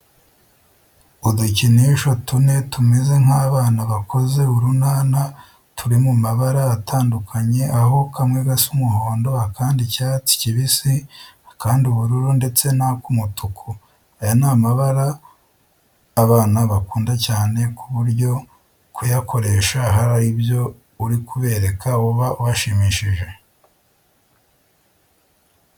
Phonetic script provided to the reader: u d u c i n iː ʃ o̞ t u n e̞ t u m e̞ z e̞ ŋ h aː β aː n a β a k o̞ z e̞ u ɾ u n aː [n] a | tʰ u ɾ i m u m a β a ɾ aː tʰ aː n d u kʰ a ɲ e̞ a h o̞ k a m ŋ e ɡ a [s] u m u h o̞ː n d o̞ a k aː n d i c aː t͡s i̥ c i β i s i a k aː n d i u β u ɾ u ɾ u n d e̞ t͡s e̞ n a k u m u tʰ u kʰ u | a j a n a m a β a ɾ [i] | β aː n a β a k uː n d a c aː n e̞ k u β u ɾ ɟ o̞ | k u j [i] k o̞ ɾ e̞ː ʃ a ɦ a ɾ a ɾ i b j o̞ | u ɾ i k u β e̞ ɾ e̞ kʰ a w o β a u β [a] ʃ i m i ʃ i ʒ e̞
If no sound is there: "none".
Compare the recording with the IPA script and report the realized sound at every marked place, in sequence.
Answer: n, s, a, a, a

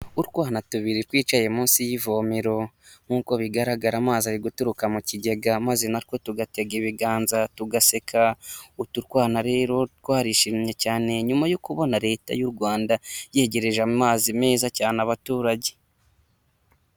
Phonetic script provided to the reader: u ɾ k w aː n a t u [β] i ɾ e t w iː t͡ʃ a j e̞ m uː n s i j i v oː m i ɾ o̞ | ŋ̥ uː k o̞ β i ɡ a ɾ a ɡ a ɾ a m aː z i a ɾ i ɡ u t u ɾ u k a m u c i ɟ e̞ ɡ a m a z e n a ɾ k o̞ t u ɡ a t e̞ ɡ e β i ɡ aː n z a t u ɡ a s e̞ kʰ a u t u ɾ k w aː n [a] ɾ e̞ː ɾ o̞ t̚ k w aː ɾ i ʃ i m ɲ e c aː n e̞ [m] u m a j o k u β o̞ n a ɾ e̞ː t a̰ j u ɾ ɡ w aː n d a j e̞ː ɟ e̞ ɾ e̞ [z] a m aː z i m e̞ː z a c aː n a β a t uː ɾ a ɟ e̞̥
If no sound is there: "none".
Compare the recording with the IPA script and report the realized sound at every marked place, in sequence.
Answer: β, a, ɲ, ʒ

